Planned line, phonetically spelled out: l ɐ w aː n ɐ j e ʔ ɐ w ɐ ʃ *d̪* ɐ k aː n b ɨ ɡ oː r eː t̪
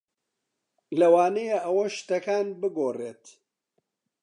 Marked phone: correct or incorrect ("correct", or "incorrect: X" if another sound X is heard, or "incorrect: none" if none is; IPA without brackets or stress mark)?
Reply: incorrect: t̪